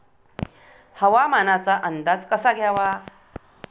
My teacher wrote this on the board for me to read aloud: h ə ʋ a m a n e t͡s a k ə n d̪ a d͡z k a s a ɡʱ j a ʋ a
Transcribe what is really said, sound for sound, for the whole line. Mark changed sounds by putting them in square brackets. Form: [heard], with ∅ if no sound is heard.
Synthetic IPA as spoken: h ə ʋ a m a n [a] t͡s a [ʔ] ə n d̪ a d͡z k [ə] s a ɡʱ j a ʋ a